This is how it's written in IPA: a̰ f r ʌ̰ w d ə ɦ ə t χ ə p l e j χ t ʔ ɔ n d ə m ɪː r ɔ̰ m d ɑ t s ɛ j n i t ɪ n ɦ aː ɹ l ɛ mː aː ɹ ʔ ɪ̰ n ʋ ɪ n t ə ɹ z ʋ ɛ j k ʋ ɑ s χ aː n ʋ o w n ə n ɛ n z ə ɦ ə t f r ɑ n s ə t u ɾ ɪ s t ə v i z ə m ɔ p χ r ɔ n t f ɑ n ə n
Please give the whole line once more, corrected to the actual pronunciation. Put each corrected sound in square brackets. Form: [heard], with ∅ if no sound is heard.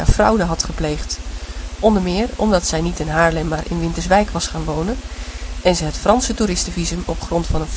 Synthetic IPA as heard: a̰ f r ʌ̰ w d ə ɦ [ɑ] t χ ə p l e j χ t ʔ ɔ n d ə m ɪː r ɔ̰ m d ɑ t s ɛ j n i t ɪ n ɦ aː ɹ l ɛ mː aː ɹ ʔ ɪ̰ n ʋ ɪ n t ə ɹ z ʋ ɛ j k ʋ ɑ s χ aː n ʋ o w n ə n ɛ n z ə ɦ ə t f r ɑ n s ə t u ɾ ɪ s t ə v i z ə m ɔ p χ r ɔ n t f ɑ n ə n